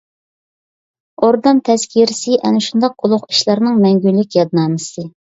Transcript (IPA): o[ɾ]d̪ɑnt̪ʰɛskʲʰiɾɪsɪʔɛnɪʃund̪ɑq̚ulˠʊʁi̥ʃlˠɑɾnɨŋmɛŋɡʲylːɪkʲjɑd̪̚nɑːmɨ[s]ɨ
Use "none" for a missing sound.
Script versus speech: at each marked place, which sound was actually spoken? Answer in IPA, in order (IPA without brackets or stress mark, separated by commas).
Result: ɾ, s